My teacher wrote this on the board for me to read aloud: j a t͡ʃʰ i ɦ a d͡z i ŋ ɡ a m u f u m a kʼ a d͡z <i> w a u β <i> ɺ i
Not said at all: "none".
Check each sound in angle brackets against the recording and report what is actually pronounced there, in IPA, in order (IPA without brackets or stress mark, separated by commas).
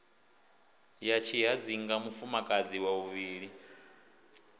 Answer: i, iː